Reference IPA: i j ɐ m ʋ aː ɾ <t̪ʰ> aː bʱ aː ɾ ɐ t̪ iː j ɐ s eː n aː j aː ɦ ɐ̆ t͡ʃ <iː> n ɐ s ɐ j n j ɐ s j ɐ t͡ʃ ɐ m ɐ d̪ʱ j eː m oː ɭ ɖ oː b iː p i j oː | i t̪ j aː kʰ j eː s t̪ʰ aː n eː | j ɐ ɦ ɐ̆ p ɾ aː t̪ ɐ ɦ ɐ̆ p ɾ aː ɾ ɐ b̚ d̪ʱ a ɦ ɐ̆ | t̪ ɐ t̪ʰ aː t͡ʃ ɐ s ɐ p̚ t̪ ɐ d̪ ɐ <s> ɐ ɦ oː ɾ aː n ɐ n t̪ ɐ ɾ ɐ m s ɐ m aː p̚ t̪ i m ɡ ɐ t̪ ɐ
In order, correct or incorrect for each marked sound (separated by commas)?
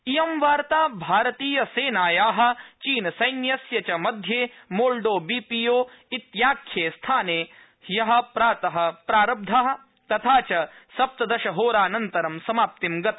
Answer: incorrect, correct, incorrect